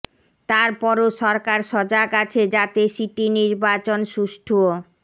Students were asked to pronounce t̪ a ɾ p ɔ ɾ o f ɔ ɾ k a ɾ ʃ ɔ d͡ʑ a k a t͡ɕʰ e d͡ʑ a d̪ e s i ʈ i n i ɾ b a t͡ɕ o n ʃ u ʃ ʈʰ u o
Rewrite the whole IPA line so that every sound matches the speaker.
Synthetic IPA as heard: t̪ a ɾ p ɔ ɾ o ʃ ɔ ɾ k a ɾ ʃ ɔ d͡ʑ a k a t͡ɕʰ e d͡ʑ a t̪ e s i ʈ i n i ɾ b a t͡ɕ o n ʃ u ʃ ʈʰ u o